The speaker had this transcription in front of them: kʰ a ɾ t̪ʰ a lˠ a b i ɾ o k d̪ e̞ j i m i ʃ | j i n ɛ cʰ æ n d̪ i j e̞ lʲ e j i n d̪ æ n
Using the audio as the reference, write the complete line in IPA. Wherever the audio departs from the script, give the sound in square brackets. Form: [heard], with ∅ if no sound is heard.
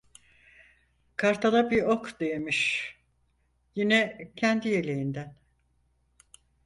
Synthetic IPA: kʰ a ɾ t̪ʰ a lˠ a b i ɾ o k d̪ e̞ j [e] m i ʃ | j i n ɛ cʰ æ n d̪ i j e̞ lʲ e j i n d̪ æ n

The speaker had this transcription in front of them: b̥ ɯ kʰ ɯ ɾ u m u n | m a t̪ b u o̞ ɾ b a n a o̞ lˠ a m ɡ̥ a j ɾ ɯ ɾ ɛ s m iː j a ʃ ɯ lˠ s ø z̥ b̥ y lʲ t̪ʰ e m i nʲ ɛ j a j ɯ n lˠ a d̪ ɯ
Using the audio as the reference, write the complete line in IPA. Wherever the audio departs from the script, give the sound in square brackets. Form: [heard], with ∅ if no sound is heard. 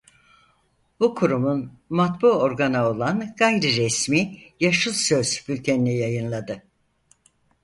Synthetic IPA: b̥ [u] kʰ [u] ɾ u m u n | m a t̪ b u o̞ ɾ [ɡ] a n a o̞ lˠ a [n] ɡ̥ a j ɾ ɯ ɾ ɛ s m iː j a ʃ ɯ lˠ s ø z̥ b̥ y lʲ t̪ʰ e [n] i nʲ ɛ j a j ɯ n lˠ a d̪ ɯ

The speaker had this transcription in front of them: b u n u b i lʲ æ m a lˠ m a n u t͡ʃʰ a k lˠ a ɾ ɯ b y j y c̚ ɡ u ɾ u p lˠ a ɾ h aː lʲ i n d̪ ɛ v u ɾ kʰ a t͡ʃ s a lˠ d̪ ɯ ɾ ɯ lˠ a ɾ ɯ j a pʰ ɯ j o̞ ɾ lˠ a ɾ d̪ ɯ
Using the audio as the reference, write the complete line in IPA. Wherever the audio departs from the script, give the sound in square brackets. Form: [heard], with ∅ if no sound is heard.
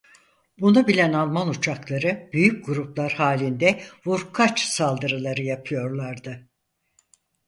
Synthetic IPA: b u n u b i lʲ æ [n] a lˠ m a n u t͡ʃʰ a k lˠ a ɾ ɯ b y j y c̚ ɡ u ɾ u p lˠ a ɾ h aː lʲ i n d̪ ɛ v u ɾ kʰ a t͡ʃ s a lˠ d̪ ɯ ɾ ɯ lˠ a ɾ ɯ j a pʰ ɯ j o̞ ɾ lˠ a ɾ d̪ ɯ

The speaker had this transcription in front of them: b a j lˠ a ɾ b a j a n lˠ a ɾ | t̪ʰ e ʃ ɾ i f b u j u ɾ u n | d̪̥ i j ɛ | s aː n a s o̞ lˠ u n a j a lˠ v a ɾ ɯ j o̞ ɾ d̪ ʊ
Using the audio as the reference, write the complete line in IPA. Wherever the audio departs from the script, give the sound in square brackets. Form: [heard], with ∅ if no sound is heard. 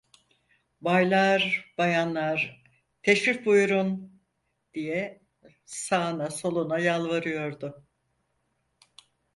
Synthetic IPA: b a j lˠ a ɾ b a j a n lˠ a ɾ | t̪ʰ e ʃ ɾ i f b u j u ɾ u n | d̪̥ i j ɛ | s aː n a s o̞ lˠ u n a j a lˠ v a ɾ ɯ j o̞ ɾ d̪ ʊ

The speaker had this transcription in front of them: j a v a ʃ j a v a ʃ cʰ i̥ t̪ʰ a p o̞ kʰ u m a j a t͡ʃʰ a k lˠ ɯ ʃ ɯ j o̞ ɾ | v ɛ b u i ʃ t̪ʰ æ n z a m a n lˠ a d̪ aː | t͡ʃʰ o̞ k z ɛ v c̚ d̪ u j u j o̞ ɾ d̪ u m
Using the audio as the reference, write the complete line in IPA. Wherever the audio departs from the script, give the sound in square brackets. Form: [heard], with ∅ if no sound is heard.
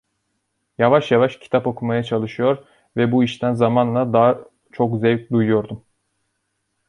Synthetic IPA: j a v a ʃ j a v a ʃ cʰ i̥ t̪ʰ a p o̞ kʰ u m a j a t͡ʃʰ a [∅] lˠ ɯ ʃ ɯ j o̞ ɾ | v ɛ b u i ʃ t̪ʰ æ n z a m a n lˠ a d̪ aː | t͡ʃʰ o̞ k z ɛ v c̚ d̪ u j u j o̞ ɾ d̪ u m

